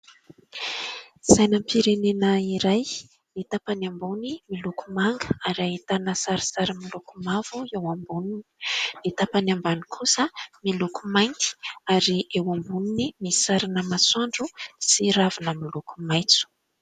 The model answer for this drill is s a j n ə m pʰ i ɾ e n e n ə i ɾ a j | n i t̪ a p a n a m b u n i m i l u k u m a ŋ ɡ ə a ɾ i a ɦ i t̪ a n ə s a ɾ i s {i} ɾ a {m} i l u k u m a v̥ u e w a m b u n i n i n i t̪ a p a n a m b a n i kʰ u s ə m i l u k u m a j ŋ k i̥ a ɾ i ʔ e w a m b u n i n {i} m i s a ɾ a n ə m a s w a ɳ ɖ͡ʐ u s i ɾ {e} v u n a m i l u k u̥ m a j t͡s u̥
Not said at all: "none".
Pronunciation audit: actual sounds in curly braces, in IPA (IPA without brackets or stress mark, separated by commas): a, m, i, a